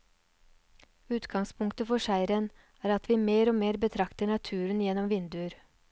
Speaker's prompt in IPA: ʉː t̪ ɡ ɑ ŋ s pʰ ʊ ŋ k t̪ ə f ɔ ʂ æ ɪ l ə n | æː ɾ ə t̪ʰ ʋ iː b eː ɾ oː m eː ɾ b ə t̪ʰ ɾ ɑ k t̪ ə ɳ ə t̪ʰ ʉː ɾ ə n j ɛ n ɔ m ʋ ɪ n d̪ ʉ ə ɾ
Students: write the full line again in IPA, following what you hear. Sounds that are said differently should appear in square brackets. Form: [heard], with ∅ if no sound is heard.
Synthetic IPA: ʉː t̪ ɡ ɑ ŋ s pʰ ʊ ŋ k t̪ ə f ɔ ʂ æ ɪ [ɾ] ə n | æː ɾ [ɑ] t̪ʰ ʋ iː [m] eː ɾ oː m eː ɾ b ə t̪ʰ ɾ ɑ k t̪ ə ɳ [ɑ] t̪ʰ ʉː ɾ ə n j ɛ n ɔ m ʋ ɪ n d̪ ʉ ə ɾ